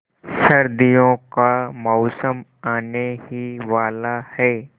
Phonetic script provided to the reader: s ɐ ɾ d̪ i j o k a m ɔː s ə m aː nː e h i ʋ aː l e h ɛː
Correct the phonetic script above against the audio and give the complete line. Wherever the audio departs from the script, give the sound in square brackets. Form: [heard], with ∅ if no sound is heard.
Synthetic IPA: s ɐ ɾ d̪ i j [õ] k a m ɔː s ə m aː [n] e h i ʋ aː l [a] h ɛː